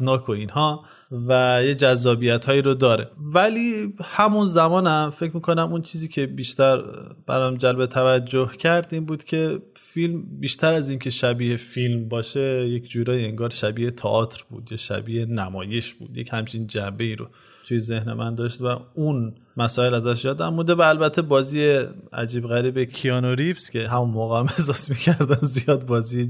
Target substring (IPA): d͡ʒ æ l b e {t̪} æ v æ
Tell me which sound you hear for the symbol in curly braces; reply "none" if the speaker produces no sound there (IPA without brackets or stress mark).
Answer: t̪ʰ